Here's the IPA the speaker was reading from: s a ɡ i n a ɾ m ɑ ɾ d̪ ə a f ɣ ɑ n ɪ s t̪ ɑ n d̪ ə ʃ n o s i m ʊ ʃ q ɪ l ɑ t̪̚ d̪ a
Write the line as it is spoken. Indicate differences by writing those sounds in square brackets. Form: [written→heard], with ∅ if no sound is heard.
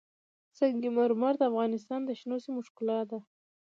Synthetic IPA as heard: s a ɡ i [n→m] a ɾ m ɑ ɾ d̪ ə a f ɣ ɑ n ɪ s t̪ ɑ n d̪ ə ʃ n o s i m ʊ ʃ [q→k] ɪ l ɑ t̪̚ d̪ a